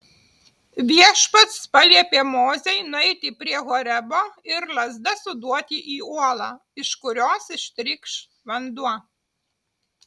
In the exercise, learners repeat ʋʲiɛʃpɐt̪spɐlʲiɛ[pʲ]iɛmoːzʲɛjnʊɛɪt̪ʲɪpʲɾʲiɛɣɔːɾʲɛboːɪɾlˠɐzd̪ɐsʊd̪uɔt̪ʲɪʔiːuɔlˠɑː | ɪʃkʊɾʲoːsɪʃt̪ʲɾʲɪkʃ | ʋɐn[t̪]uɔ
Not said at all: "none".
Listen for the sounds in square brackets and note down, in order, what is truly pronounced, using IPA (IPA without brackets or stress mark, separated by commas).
pʲ, d̪